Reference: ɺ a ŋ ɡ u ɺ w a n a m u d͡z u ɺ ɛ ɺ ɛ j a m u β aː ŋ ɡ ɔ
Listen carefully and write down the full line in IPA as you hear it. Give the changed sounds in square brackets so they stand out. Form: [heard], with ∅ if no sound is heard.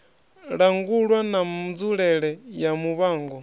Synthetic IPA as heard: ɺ a ŋ ɡ u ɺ w a n a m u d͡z u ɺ ɛ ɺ ɛ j a m u β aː ŋ ɡ ɔ